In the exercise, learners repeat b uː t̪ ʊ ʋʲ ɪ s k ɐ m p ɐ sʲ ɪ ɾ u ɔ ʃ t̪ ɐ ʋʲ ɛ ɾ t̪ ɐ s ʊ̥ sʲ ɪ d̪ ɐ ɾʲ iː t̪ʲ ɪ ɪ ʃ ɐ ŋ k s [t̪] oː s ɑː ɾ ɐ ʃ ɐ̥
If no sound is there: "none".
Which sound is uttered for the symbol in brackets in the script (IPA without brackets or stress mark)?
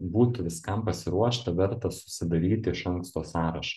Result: t̪